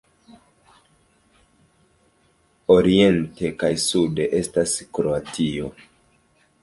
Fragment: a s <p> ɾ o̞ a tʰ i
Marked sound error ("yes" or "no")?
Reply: yes